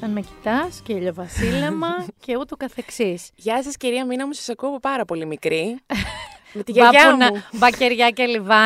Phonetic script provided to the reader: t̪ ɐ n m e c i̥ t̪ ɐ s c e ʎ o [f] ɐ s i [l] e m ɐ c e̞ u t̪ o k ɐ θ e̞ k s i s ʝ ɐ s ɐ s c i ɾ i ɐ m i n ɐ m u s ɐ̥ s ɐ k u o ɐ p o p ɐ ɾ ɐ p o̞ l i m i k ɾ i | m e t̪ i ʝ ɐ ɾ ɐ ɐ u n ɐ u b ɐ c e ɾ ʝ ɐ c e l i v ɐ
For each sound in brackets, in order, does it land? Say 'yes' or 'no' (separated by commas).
no, yes